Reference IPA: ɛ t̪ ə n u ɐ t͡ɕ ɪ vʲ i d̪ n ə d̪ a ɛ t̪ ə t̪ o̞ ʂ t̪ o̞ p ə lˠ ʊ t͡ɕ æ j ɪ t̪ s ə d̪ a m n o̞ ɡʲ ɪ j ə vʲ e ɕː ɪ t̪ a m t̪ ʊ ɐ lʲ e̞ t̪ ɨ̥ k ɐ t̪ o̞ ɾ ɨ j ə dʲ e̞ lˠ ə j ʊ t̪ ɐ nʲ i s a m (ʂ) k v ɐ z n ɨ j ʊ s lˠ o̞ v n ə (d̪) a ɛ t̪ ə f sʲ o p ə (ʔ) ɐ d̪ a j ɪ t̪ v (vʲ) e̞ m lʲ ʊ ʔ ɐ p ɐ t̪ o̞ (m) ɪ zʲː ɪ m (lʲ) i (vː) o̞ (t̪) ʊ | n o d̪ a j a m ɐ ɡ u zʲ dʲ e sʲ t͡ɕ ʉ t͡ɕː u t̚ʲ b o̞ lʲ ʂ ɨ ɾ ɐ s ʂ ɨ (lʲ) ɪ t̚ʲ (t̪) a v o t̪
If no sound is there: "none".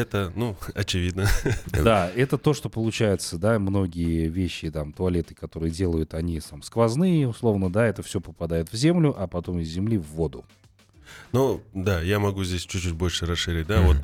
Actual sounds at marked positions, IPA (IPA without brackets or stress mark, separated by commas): s, d̪, p, zʲ, m, lʲ, vː, d̪, ɾʲ, d̪